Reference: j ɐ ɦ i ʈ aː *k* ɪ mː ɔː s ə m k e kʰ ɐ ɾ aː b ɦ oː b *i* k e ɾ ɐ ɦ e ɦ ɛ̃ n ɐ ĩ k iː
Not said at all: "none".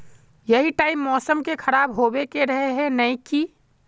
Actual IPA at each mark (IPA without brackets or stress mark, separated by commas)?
none, e